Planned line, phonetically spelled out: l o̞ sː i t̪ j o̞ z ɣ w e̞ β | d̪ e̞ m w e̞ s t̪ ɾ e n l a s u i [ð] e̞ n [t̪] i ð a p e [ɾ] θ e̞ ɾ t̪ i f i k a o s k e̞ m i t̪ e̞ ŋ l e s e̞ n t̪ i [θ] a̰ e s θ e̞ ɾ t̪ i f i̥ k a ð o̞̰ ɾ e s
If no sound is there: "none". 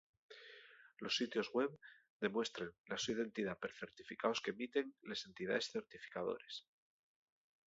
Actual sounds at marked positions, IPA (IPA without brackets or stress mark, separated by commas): ð, t̪, ɾ, ð